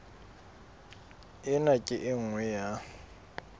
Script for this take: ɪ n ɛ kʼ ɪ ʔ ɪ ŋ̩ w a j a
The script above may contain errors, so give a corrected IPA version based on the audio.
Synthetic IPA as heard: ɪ n a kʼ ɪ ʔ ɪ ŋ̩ w ɛ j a